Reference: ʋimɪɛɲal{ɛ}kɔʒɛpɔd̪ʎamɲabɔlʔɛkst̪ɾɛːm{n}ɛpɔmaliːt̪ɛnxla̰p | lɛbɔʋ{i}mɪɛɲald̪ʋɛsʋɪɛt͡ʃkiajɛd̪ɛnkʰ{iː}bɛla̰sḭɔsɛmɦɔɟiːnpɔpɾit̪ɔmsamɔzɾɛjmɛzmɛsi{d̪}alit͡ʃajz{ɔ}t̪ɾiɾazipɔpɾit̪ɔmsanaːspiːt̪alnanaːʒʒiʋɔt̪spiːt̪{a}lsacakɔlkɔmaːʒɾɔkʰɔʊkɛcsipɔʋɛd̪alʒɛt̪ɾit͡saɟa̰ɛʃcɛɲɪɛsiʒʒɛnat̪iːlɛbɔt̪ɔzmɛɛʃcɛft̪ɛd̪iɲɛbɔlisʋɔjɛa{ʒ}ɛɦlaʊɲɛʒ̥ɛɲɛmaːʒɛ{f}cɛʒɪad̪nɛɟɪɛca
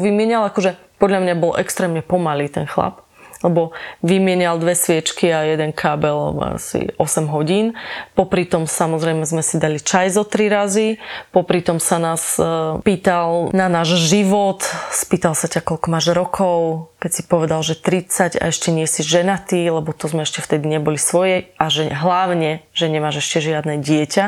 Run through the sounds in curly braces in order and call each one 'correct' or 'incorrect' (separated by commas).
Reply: incorrect, incorrect, correct, incorrect, correct, correct, correct, correct, incorrect